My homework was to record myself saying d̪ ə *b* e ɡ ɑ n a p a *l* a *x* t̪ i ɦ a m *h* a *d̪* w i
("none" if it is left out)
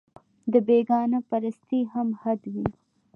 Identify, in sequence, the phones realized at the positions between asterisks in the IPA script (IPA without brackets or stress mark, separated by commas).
b, ɾ, s, h, d̪